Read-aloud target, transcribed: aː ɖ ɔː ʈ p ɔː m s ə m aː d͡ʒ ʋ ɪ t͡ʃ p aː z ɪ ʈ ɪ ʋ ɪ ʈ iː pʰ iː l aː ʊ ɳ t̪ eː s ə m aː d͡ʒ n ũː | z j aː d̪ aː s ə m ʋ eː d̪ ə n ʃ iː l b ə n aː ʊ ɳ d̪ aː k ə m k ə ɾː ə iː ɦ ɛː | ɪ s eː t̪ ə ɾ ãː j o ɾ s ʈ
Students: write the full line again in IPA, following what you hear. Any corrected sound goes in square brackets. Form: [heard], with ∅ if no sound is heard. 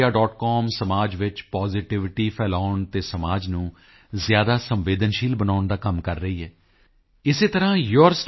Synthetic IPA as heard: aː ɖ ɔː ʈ [k] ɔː m s ə m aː d͡ʒ ʋ ɪ t͡ʃ p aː z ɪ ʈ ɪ ʋ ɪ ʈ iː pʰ [ɛː] l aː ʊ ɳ t̪ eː s ə m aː d͡ʒ n ũː | z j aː d̪ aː s ə m ʋ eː d̪ ə n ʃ iː l b ə n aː ʊ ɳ d̪ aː k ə m k ə ɾː ə iː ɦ ɛː | ɪ s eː t̪ ə ɾ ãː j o ɾ s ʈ